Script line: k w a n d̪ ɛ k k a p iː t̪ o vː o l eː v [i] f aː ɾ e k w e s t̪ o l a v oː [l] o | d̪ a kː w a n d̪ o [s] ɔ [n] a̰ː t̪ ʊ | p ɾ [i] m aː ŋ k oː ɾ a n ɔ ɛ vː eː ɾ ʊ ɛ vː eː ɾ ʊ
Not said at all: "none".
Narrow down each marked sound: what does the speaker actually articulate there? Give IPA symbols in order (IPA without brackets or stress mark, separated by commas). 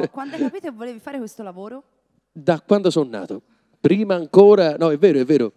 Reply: i, ɾ, s, nː, iː